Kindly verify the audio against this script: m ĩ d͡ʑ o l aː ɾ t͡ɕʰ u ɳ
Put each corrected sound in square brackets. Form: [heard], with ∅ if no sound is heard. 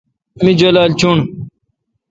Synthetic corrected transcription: m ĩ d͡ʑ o l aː [l] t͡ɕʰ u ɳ